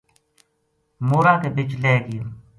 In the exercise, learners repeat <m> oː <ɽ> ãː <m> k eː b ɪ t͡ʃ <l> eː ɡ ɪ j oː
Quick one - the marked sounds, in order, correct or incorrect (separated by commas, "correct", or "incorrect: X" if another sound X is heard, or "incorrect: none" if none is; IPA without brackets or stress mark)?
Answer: correct, incorrect: ɾ, incorrect: none, correct